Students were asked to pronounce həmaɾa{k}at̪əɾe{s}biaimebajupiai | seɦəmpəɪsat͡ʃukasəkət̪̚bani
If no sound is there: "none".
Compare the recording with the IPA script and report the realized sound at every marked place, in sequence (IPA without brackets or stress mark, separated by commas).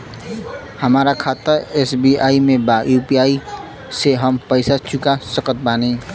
kʰ, s